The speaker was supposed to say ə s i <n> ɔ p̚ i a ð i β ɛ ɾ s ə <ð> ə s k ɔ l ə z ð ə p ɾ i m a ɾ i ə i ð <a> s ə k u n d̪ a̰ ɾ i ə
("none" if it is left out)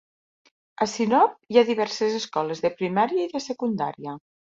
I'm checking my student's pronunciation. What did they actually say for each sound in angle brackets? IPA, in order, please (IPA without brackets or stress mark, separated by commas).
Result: n, z, ə